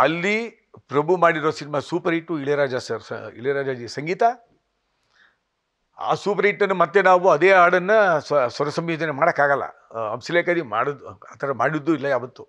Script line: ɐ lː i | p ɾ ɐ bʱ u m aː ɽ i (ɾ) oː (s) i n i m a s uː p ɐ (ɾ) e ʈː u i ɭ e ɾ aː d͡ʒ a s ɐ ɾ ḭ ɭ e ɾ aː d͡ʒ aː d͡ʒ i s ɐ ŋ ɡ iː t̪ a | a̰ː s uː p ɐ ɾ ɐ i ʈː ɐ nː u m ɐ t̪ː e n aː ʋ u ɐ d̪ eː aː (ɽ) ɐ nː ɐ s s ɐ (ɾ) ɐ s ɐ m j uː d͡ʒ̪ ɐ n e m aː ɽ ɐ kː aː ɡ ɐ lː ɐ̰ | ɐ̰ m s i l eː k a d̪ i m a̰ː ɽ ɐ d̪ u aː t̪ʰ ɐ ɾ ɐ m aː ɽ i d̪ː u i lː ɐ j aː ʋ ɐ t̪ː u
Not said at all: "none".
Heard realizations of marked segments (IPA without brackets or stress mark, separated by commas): ɾ, s, ɾ, ɽ, ɾ